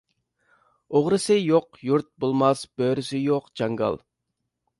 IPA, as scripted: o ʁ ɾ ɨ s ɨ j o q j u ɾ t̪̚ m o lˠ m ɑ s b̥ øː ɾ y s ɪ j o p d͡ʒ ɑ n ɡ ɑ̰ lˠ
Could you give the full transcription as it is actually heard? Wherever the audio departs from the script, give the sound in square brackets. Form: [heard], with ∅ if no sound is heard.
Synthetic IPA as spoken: o ʁ ɾ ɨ s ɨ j o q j u ɾ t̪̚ [b] o lˠ m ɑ s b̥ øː ɾ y s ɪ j o [q] d͡ʒ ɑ [ŋ] ɡ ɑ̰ lˠ